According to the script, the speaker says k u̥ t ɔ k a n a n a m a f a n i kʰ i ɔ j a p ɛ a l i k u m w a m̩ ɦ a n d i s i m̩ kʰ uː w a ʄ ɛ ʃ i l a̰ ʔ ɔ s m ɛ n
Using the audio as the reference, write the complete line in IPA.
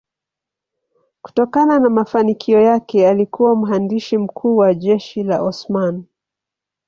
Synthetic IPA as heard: k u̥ t ɔ k a n a n a m a f a n i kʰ i ɔ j a k ɛ a l i k u w a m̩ ɦ a n d i ʃ i m̩ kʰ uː w a ʄ ɛ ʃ i l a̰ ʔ ɔ s m a n